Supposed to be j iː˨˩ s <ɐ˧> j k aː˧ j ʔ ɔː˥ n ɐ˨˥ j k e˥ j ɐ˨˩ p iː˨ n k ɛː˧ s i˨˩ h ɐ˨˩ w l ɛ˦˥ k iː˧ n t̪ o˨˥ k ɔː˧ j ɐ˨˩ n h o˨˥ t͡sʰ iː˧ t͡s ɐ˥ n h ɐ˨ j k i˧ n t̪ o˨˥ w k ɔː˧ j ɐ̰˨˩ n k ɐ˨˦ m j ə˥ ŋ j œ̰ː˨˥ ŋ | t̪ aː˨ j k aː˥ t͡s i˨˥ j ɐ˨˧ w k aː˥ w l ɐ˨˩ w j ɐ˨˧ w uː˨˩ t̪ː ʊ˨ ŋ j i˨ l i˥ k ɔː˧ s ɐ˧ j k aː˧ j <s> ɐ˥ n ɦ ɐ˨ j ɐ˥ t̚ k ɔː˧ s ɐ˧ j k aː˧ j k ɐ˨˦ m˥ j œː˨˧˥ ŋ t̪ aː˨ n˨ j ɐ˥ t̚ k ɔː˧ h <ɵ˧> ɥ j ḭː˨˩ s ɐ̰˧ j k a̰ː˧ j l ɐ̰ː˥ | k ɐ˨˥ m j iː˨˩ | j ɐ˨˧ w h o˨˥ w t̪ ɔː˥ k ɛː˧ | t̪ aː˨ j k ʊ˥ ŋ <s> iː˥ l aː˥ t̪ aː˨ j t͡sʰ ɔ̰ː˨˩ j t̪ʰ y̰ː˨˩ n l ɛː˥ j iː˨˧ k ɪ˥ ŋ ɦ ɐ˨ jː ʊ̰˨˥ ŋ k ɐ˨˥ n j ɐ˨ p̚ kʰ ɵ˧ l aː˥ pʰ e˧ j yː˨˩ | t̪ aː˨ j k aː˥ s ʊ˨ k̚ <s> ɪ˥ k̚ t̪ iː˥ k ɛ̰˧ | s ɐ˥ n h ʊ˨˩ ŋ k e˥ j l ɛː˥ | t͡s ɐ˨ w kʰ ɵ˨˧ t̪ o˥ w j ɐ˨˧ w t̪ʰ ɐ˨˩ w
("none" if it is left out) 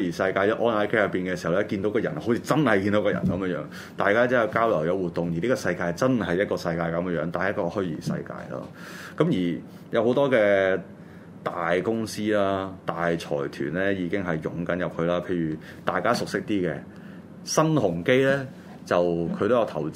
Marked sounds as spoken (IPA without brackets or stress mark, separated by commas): ɐ˧, t͡s, ɵ˥, s, s